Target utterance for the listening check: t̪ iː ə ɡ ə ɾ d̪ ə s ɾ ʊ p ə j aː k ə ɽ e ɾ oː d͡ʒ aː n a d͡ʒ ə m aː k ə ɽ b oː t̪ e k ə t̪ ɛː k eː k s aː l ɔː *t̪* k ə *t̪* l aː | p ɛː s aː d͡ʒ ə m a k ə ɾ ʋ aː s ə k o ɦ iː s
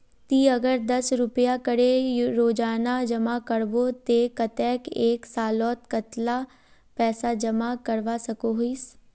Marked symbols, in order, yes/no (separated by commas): yes, yes